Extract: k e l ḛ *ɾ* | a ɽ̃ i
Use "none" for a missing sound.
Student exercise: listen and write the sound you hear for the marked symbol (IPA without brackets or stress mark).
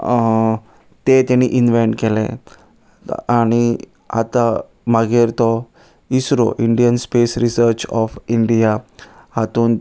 none